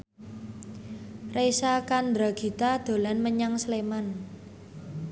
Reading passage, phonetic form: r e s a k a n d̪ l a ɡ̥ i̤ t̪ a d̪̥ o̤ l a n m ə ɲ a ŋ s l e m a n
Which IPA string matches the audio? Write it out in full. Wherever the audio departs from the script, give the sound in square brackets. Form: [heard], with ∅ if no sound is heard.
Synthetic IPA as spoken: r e s a k a n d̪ [ɾ] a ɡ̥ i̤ t̪ a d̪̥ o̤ l a n m ə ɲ a ŋ s l e m a n